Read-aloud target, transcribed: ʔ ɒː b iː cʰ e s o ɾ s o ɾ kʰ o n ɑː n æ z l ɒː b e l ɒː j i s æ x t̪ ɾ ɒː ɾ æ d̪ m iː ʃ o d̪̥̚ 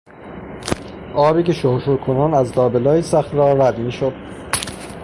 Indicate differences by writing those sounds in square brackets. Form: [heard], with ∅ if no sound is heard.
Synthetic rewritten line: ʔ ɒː b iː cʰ e [ʃ] o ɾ [ʃ] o ɾ kʰ o n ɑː n æ z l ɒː b e l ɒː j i s æ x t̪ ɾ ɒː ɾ æ d̪ m iː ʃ o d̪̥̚